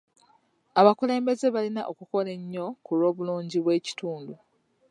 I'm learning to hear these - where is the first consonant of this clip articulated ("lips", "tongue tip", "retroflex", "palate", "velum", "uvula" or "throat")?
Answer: lips